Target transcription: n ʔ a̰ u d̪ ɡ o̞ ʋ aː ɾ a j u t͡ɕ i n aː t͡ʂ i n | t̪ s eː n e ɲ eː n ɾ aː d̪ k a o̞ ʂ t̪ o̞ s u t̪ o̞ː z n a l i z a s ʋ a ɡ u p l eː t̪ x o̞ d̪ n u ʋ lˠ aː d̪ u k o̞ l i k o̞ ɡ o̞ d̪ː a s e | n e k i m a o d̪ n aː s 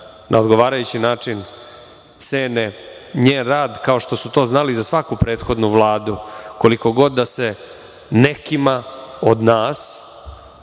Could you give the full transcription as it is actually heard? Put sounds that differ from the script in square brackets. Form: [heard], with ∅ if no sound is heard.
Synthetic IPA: n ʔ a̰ [o] d̪ ɡ o̞ ʋ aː ɾ a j u t͡ɕ i n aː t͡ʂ i n | t̪ s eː n e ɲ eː n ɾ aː d̪ k a o̞ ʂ t̪ o̞ s u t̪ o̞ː z n a l i z a s ʋ a [k] u p [ɾ] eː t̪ x o̞ d̪ n u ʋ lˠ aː d̪ u k o̞ l i k o̞ ɡ o̞ d̪ː a s e | n e k i m a o d̪ n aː s